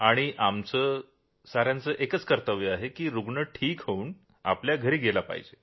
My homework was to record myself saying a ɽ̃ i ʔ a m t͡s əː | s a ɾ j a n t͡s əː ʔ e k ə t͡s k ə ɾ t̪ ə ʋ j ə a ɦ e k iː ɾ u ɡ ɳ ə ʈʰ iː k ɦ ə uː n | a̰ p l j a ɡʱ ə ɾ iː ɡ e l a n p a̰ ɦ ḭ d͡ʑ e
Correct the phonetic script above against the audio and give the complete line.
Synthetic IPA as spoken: a ɽ̃ i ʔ a m t͡s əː | s a ɾ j a n t͡s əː ʔ e k ə t͡s k ə ɾ t̪ ə ʋ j ə a ɦ e k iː ɾ u ɡ ɳ ə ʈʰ iː k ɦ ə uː n | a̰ p l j a ɡʱ ə ɾ iː ɡ e l a p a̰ ɦ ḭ d͡ʑ e